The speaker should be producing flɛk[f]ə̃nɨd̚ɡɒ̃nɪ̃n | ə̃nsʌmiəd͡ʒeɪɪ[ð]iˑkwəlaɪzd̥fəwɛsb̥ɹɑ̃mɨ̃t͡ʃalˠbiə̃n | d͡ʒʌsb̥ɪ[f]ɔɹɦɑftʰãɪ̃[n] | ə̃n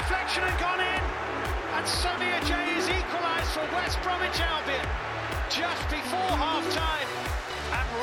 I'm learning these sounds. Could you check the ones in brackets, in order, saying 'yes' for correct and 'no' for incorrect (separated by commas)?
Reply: no, no, yes, no